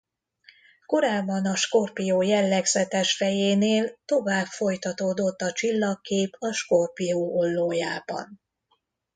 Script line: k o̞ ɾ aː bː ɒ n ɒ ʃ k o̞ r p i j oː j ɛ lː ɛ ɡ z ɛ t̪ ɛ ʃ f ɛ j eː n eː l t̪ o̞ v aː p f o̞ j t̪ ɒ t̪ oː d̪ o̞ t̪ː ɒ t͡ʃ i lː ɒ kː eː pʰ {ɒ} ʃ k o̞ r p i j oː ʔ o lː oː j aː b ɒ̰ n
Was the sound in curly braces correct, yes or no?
yes